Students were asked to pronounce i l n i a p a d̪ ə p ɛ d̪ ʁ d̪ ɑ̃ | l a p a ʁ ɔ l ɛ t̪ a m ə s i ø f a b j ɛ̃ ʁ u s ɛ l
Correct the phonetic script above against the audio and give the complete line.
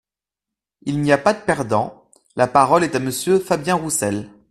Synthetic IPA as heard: i l n i a p a d̪ ə p ɛ ʁ d̪ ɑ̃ | l a p a ʁ ɔ l ɛ t̪ a m ə s j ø f a b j ɛ̃ ʁ u s ɛ l